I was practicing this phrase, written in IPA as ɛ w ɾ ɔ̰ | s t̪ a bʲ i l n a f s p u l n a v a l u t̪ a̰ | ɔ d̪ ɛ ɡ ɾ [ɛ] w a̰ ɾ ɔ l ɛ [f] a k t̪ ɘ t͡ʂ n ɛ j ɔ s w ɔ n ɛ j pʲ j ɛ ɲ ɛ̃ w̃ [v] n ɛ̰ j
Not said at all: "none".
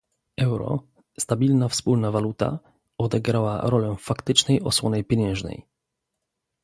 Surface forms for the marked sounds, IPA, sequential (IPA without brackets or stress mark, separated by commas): a, f, ʐ